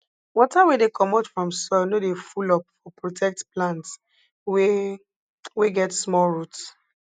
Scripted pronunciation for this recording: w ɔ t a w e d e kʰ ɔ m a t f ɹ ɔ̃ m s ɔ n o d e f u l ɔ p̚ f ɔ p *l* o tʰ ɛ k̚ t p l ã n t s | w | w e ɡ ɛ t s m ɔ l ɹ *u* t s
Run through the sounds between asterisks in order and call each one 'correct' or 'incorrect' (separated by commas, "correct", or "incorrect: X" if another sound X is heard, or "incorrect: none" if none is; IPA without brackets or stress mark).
incorrect: ɹ, correct